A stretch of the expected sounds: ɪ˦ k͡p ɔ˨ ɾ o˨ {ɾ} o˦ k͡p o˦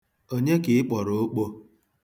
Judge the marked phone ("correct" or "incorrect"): incorrect